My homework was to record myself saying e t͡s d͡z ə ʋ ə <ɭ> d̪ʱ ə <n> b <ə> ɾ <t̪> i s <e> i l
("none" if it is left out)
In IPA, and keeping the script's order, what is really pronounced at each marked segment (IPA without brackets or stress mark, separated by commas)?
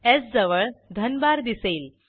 ɭ, n, a, d̪, e